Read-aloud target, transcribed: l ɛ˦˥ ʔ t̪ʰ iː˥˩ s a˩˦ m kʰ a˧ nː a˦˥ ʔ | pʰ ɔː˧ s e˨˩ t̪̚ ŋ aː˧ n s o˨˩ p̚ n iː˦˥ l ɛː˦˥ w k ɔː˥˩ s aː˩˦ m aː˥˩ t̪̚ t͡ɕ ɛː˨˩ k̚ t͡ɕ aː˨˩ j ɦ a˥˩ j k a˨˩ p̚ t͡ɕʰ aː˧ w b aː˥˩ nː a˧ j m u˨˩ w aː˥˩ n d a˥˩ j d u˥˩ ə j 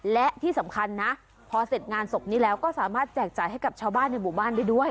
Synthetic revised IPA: l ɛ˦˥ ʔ t̪ʰ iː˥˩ s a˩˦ m kʰ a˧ nː a˦˥ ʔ | pʰ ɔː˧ s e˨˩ t̪̚ ŋ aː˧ n s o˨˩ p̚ n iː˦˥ l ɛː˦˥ w k ɔː˥˩ s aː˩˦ m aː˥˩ t̪̚ t͡ɕ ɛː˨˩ k̚ t͡ɕ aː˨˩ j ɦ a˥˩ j k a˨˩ p̚ t͡ɕʰ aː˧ w b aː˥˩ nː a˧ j m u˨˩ b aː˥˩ n d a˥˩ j d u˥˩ ə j